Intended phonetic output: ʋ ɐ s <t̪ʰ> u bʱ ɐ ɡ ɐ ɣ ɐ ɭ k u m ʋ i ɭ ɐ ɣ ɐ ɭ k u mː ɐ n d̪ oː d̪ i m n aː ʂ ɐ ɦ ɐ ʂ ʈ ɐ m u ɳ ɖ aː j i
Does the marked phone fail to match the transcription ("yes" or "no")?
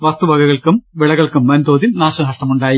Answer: yes